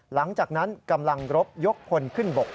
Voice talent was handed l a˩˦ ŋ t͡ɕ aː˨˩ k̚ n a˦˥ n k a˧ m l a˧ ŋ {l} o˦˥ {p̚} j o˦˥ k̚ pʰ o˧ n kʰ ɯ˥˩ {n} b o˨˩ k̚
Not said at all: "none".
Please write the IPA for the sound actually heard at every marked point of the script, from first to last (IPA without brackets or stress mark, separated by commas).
ɾ, p̚, n